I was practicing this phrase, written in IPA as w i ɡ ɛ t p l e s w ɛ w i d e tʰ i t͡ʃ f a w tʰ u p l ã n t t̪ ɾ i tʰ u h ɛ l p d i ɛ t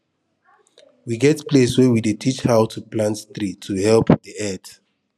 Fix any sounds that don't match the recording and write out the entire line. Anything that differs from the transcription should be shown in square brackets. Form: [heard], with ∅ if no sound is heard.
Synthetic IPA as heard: w i ɡ ɛ t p l e s w ɛ w i d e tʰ i t͡ʃ [h] a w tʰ u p l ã n t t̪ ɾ i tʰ u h ɛ l p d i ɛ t